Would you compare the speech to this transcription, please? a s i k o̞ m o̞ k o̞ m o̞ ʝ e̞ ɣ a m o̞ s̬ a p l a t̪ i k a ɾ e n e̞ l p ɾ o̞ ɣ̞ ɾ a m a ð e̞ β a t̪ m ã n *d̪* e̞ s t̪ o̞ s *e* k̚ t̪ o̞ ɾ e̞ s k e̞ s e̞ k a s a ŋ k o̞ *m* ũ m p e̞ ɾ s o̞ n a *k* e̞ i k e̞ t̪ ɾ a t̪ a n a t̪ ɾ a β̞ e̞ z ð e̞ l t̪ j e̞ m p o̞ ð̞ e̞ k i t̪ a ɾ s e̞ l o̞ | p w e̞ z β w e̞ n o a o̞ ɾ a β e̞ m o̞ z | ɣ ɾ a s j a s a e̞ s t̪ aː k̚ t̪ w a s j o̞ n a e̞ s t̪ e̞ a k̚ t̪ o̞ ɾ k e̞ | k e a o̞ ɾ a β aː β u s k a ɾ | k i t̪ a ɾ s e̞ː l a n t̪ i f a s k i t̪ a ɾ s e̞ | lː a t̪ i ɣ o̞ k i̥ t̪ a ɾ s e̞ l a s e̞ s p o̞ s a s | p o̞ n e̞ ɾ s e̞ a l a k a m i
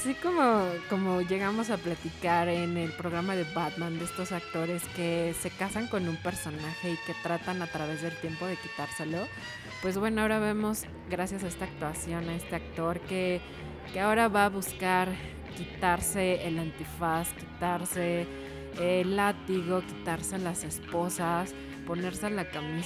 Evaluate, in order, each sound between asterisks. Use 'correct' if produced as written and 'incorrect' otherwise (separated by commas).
correct, incorrect, incorrect, incorrect